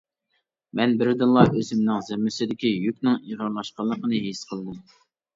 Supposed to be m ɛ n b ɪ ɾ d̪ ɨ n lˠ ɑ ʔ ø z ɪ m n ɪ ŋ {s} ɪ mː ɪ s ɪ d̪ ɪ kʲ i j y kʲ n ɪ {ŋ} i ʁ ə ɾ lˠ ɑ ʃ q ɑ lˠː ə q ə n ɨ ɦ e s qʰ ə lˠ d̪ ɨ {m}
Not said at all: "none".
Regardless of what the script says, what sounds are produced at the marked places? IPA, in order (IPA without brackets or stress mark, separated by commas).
z, ŋ, m